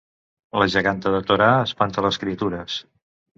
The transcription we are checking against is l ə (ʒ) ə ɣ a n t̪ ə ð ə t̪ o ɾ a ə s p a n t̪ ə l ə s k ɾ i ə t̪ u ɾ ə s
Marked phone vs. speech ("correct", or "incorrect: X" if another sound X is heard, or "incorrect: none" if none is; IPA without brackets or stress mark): correct